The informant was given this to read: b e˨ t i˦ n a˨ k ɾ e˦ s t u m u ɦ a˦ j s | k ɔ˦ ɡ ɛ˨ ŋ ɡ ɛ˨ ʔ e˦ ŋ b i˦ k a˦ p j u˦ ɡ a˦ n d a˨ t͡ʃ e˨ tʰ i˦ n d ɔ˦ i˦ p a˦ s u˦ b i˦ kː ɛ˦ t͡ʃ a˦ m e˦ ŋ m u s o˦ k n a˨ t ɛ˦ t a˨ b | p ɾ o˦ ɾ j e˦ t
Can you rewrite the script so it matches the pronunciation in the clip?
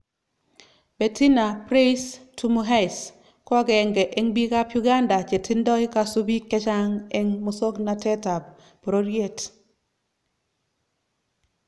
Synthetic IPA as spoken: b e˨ t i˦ n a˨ p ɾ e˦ s t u m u ɦ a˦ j s | k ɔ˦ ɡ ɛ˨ ŋ ɡ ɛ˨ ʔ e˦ ŋ b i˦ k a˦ p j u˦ ɡ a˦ n d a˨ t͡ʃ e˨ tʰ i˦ n d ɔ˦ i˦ k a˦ s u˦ b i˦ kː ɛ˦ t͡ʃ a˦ ŋ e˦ ŋ m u s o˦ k n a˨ t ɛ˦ t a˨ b | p ɾ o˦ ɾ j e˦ t